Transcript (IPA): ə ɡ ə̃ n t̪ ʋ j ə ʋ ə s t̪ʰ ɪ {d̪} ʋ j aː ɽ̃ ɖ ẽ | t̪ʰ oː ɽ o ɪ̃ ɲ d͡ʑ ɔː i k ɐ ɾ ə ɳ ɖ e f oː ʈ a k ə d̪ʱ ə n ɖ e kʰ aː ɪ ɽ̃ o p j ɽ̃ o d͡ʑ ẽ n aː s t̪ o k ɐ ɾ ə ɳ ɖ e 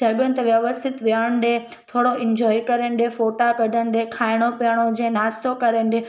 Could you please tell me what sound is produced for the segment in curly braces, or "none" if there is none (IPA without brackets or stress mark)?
t̪